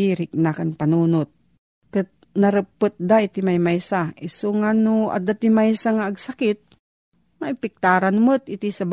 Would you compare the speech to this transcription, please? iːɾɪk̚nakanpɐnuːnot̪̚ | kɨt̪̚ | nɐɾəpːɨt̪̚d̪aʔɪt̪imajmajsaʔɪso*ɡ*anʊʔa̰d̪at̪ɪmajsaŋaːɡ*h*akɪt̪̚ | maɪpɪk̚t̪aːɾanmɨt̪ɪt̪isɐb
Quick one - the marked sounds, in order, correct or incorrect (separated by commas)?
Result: incorrect, incorrect